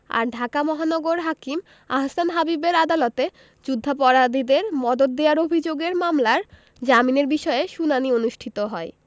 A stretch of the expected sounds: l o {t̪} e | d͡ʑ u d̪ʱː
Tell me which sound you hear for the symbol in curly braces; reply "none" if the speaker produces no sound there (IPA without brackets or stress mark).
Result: t̪